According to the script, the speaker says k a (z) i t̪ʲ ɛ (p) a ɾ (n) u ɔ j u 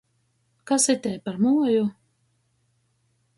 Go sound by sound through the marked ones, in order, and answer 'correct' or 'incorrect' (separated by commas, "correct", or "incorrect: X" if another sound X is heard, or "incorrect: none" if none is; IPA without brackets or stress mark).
incorrect: s, correct, incorrect: m